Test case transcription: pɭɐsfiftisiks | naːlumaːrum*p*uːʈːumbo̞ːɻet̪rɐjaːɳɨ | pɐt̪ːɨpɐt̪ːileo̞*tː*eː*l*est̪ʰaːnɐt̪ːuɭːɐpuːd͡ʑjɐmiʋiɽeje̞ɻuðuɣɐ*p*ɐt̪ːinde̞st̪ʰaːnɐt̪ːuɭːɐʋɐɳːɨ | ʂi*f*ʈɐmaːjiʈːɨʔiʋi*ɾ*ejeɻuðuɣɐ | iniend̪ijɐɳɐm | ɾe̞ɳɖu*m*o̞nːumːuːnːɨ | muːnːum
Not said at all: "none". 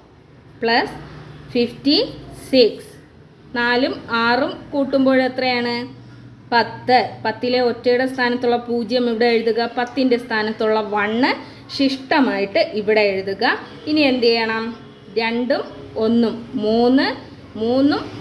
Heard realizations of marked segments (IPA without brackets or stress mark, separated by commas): k, tː, ɽ, p, ʂ, ɽ, m